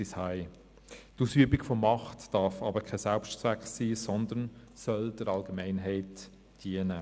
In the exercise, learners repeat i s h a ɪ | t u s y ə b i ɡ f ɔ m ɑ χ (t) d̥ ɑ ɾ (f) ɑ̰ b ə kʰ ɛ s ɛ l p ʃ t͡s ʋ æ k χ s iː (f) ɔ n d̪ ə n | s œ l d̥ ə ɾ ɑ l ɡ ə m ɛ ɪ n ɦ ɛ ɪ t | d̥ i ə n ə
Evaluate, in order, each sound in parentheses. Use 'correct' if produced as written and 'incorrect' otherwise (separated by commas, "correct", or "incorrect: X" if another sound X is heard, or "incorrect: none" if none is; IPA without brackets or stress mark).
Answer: correct, correct, incorrect: s